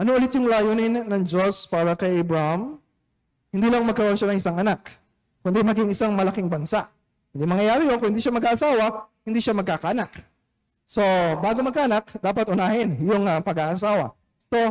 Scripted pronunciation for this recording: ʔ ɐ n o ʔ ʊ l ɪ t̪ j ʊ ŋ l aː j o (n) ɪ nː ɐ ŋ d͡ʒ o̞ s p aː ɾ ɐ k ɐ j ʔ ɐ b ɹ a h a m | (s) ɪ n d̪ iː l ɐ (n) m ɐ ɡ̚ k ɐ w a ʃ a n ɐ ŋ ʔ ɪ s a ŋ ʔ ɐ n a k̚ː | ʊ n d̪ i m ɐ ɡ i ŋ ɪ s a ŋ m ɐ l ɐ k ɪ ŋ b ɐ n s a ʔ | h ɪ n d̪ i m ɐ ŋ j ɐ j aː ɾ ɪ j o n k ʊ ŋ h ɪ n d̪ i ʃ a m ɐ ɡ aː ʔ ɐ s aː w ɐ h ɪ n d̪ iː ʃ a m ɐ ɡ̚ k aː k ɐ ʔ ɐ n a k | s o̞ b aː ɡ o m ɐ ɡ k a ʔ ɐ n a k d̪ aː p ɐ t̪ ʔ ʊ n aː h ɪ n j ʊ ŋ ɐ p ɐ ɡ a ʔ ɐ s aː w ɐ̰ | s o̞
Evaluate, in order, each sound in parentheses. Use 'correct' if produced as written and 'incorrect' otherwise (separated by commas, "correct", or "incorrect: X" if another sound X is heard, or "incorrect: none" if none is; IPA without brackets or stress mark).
correct, incorrect: h, incorrect: ŋ